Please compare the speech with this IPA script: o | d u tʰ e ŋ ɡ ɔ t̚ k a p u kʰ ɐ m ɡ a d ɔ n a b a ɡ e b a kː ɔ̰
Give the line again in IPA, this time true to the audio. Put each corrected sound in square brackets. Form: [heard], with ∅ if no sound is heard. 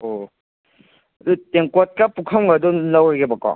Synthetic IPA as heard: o | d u [t] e ŋ [k] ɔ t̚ k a p u kʰ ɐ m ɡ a d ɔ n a [w] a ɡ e b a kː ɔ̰